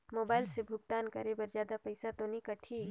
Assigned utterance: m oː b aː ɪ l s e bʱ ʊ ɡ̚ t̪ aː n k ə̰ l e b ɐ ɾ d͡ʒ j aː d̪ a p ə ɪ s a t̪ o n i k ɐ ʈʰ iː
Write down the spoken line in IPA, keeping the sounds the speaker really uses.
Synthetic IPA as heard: m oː b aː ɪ l s e bʱ ʊ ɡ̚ t̪ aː n k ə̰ ɾ e b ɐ ɾ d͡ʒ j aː d̪ a p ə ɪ s a t̪ o n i k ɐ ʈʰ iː